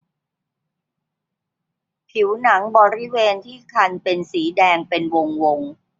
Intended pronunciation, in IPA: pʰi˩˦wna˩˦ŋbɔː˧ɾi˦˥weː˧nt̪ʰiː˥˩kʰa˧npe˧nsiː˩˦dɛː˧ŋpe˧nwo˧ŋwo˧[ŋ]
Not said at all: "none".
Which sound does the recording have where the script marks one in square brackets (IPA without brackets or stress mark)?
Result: ŋ